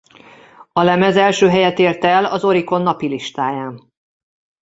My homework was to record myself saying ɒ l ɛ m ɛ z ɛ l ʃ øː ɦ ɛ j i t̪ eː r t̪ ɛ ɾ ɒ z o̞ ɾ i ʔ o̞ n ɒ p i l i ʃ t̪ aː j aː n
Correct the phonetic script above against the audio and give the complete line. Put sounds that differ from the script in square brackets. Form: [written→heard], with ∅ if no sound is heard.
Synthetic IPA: ɒ l ɛ m ɛ z ɛ l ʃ øː ɦ ɛ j [i→ɛ] t̪ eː r t̪ ɛ [ɾ→l] ɒ z o̞ ɾ i [ʔ→k] o̞ [n→nː] ɒ p i l i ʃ t̪ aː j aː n